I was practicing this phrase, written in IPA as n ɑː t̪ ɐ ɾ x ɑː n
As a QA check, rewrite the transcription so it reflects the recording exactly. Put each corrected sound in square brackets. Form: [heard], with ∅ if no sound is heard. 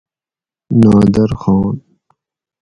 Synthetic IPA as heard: n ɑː [d̪] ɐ ɾ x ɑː n